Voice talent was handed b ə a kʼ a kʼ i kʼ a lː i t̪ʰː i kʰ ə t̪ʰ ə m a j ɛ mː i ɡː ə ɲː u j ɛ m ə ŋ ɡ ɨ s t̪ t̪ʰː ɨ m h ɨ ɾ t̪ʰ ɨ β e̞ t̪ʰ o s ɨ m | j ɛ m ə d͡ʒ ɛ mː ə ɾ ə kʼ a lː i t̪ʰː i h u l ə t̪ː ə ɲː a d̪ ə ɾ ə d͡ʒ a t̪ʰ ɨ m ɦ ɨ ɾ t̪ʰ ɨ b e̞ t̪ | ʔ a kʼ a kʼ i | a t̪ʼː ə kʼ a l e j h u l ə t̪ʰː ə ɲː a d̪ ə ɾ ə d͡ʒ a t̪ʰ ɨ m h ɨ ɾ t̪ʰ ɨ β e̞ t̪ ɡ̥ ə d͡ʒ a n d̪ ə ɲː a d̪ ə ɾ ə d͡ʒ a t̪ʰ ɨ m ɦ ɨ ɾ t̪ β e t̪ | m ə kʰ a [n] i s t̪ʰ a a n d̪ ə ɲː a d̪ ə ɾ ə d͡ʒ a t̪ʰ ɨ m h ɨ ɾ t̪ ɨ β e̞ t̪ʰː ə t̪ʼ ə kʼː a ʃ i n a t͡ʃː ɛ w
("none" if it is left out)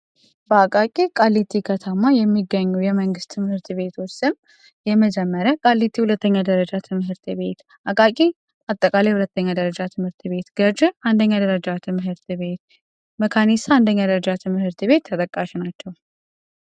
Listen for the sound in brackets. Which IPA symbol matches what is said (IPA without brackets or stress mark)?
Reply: n